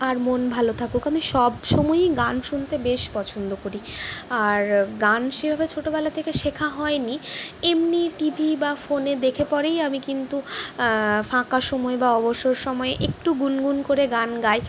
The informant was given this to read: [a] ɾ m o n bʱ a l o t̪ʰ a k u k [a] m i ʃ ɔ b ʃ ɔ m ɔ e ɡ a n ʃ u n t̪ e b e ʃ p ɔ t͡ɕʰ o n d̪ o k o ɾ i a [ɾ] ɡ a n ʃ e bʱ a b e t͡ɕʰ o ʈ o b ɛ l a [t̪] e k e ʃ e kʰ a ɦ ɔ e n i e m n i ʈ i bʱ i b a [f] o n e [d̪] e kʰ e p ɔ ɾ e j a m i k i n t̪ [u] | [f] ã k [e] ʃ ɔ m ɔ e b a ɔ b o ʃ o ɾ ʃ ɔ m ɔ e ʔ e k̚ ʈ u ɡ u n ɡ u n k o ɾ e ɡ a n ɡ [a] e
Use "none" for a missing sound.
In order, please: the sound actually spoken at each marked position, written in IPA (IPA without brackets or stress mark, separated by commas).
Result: a, a, ɾ, t̪ʰ, f, d̪, u, f, a, a